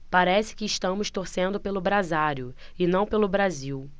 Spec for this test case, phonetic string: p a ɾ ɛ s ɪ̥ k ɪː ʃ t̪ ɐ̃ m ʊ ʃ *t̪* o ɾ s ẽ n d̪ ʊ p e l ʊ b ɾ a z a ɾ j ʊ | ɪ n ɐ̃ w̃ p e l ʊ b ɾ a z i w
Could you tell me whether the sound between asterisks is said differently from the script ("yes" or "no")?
no